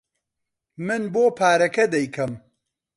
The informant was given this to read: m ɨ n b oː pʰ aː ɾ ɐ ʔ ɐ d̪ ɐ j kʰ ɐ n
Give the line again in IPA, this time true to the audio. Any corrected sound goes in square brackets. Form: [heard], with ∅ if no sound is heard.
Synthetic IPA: m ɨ n b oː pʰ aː ɾ ɐ [k] ɐ d̪ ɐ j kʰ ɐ [m]